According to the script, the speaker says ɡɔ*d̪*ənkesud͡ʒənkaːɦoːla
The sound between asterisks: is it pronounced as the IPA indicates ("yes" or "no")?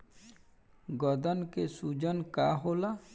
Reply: yes